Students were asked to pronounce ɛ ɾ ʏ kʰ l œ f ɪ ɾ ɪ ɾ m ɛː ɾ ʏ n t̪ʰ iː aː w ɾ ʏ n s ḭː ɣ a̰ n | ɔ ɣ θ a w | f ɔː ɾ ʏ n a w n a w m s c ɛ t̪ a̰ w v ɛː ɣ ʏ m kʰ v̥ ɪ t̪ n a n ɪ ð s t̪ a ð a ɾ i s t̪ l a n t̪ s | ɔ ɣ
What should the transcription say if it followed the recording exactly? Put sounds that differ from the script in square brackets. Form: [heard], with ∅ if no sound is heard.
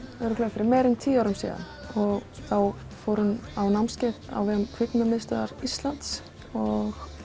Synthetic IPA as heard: ɛ ɾ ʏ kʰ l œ f ɪ ɾ ɪ ɾ m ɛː ɾ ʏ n t̪ʰ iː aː w ɾ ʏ [m] s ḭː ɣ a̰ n | ɔ ɣ θ a w | f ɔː ɾ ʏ n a w n a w m s c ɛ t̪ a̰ w v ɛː ɣ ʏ m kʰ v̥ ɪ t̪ n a [m] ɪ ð s t̪ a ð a ɾ i s t̪ l a n t̪ s | ɔ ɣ

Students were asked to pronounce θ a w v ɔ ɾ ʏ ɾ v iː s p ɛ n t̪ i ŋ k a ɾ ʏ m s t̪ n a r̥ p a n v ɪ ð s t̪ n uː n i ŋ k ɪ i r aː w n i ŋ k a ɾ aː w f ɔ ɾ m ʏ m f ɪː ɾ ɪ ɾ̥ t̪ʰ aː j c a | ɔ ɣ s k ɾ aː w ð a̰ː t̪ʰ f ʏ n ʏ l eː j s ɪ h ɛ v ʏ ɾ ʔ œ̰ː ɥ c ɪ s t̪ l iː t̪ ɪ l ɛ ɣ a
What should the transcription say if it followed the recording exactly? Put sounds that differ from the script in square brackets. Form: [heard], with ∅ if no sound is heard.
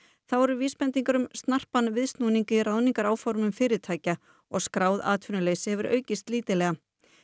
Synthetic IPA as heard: θ a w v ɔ ɾ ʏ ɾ v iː s p ɛ n t̪ i ŋ k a ɾ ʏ m s t̪ n a r̥ p a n v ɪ ð s t̪ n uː n i ŋ k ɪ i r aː w n i ŋ k a ɾ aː w f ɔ ɾ m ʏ m f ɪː ɾ ɪ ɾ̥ t̪ʰ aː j c a | ɔ ɣ s k ɾ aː w ð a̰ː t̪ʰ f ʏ n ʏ l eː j s ɪ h ɛ v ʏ ɾ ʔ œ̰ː ɥ c ɪ s t̪ l iː t̪ ɪ l ɛ ɣ a

